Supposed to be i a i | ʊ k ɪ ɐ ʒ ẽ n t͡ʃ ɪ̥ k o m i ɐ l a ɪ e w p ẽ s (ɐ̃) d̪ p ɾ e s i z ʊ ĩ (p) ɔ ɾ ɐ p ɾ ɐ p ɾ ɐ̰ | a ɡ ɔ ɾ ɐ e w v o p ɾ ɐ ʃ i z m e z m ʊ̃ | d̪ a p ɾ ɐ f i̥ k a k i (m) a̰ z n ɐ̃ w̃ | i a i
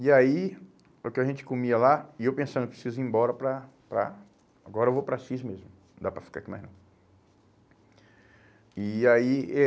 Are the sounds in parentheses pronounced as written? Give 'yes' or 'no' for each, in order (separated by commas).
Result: yes, no, yes